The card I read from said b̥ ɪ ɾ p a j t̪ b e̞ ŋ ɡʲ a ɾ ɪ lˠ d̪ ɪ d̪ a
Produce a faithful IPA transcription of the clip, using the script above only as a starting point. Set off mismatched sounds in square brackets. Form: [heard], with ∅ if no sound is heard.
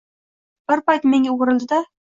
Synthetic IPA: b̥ ɪ ɾ p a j t̪ [m] e̞ ŋ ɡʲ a ɾ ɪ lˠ d̪ ɪ d̪ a